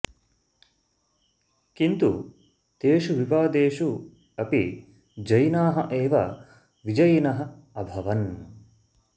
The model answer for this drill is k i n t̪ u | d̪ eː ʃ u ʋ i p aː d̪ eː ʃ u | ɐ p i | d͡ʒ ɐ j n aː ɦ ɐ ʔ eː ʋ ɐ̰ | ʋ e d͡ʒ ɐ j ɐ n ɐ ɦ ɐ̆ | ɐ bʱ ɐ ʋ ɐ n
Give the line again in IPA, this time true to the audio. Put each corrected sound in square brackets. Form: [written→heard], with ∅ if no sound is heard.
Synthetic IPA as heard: k i n t̪ u | [d̪→t̪] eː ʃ u ʋ i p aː d̪ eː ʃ u | ɐ p i | d͡ʒ ɐ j n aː ɦ ɐ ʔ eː ʋ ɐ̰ | ʋ [e→i] d͡ʒ ɐ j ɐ n ɐ ɦ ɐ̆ | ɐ bʱ ɐ ʋ ɐ n